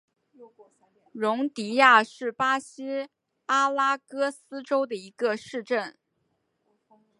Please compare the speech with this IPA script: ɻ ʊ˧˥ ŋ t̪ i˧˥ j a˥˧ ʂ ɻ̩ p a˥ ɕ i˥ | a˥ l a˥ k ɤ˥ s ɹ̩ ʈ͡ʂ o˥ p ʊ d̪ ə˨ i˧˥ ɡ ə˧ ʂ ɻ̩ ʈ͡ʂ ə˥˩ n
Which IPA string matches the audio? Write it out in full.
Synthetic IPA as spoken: ɻ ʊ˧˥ ŋ t̪ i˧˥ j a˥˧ ʂ ɻ̩ p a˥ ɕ i˥ | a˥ l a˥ k ɤ˥ s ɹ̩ ʈ͡ʂ o˥ ʊ d̪ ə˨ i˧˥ ɡ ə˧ ʂ ɻ̩ ʈ͡ʂ ə˥˩ n